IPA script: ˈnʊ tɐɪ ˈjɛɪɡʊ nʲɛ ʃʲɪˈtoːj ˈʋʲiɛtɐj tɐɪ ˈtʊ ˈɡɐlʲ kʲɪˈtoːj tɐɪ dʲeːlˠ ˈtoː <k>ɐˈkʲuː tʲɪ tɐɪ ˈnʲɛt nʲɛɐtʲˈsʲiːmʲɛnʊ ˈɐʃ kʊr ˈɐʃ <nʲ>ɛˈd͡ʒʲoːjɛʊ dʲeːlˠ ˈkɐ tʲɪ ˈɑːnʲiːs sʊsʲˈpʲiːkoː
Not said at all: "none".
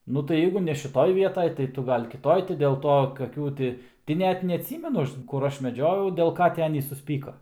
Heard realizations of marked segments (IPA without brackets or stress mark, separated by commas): k, mʲ